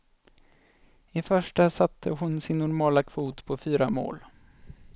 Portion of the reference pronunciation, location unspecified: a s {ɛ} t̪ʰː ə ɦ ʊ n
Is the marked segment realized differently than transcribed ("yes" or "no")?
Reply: yes